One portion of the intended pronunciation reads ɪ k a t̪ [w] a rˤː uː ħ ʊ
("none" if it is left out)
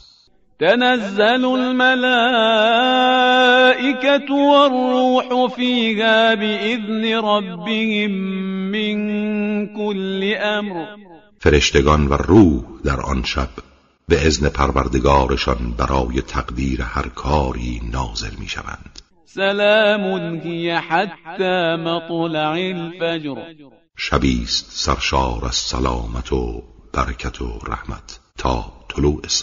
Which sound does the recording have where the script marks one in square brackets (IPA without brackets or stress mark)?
w